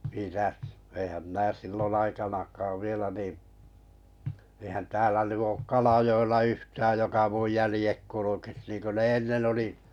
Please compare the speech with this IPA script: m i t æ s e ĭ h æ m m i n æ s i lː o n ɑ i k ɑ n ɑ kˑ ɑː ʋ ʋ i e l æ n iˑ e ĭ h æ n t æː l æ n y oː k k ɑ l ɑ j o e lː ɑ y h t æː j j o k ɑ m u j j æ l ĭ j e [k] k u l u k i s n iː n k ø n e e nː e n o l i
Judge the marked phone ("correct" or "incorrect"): correct